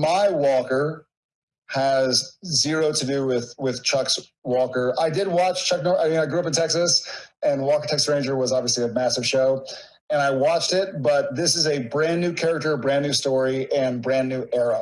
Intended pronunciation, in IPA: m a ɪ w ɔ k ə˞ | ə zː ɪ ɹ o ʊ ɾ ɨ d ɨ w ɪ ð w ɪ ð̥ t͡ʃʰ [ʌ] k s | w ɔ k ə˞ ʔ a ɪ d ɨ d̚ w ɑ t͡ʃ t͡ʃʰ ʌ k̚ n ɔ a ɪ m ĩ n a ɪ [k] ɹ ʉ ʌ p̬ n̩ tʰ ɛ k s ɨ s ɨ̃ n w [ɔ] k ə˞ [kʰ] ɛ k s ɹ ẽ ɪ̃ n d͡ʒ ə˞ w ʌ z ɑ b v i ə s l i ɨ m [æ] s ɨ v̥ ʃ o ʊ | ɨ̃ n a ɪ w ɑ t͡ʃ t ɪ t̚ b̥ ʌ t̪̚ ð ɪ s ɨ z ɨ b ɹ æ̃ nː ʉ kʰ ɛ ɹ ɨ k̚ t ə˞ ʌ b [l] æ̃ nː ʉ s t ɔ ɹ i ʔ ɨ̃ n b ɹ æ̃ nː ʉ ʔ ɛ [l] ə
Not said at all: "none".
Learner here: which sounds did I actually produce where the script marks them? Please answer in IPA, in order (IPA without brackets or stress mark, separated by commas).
ʌ, ɡ, ɔ, tʰ, æ, ɹ, ɹ